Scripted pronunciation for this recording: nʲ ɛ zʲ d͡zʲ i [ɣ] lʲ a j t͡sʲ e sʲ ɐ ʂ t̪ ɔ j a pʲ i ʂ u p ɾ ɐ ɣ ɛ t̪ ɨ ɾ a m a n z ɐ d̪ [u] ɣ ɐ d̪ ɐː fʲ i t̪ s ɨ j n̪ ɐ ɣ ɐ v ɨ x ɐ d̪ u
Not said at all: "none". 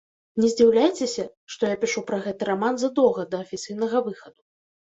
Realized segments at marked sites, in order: w, ɔ

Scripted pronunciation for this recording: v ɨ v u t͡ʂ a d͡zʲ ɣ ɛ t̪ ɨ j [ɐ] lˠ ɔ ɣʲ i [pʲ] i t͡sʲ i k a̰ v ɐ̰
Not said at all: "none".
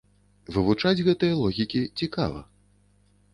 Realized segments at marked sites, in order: ɐ, kʲ

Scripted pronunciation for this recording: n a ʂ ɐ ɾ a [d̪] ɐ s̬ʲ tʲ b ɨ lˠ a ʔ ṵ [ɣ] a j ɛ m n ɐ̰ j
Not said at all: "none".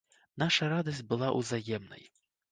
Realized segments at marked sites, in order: d̪, z

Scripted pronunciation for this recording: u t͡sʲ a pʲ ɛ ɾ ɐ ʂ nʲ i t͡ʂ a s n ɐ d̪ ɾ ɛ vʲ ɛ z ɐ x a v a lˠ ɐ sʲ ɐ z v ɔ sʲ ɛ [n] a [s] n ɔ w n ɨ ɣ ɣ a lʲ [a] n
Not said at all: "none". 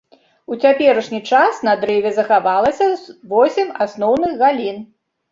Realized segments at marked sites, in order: m, s, i

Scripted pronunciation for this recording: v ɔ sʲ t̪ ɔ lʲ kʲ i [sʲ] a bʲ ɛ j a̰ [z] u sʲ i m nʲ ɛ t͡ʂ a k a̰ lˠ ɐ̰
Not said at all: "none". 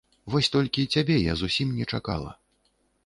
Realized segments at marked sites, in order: t͡sʲ, z

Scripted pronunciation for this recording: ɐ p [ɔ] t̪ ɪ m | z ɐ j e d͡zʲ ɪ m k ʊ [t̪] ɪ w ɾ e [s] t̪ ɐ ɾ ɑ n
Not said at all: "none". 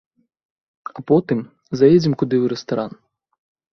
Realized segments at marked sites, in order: ɔ, d̪, s

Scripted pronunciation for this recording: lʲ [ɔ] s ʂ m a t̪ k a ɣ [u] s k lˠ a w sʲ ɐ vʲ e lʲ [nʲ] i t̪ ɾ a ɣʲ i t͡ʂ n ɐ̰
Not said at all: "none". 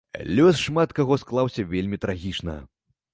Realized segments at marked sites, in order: ɔ, ɔ, mʲ

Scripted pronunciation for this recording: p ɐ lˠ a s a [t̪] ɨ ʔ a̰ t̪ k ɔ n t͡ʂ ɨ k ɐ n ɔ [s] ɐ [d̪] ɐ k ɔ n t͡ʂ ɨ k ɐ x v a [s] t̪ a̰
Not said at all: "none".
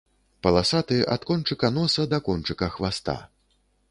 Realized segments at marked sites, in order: t̪, s, d̪, s

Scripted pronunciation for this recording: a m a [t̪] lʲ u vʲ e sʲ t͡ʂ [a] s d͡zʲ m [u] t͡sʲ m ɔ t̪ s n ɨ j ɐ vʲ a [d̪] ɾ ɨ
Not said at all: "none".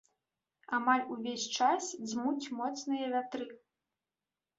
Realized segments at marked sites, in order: none, a, u, t̪

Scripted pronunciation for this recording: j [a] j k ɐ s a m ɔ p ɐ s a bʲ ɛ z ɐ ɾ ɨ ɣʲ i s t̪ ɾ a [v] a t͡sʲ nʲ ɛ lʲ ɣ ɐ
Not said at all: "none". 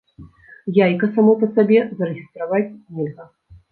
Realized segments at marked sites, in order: a, v

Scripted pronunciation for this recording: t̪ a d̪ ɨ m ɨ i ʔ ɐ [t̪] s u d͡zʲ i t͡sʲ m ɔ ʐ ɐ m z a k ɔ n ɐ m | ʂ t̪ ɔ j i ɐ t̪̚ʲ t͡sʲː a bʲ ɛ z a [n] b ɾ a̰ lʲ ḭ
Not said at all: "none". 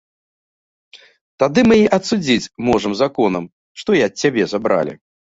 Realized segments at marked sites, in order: t̪, none

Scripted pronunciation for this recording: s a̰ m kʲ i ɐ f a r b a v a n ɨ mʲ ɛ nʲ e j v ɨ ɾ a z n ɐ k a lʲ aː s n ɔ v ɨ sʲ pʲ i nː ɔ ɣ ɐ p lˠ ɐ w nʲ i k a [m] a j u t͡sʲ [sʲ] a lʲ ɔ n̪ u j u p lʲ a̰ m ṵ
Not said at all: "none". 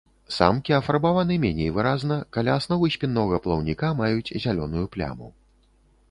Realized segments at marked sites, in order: m, zʲ

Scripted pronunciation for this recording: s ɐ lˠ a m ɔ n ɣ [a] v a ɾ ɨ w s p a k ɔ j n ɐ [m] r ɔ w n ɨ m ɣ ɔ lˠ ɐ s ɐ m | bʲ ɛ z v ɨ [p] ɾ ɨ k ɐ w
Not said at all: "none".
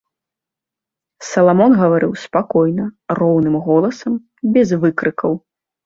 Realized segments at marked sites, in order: ɐ, none, k

